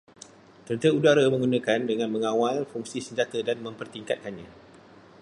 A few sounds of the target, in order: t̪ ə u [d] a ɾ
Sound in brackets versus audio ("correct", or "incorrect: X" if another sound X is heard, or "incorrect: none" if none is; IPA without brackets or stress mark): correct